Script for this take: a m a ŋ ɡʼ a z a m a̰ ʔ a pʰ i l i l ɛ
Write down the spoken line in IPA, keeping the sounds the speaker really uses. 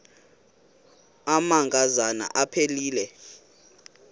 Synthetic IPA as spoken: a m a ŋ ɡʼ a z a n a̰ ʔ a pʰ e l iː l ɛ